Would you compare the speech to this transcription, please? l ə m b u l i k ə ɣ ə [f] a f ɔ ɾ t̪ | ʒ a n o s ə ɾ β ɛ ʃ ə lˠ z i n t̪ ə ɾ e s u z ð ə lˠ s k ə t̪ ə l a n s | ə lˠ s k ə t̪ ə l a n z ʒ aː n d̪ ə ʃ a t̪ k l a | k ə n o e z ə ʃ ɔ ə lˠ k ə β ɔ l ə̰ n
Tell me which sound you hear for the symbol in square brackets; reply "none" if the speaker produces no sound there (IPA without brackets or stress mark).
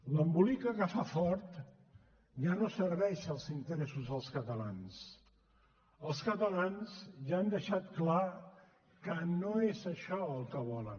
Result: f